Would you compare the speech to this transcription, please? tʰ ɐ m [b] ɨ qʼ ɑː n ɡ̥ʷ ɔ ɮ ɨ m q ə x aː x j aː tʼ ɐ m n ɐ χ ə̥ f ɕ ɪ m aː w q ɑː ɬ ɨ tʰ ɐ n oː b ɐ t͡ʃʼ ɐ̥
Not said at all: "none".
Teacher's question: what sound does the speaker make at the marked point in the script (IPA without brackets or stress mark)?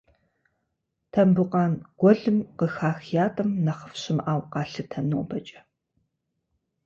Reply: b